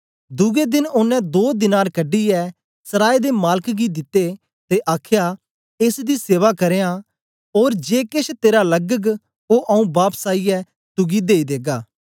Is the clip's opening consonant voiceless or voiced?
voiced